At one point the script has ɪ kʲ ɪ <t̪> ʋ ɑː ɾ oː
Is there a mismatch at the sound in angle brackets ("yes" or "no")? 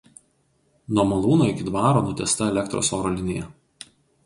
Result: yes